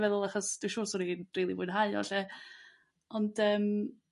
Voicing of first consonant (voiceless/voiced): voiced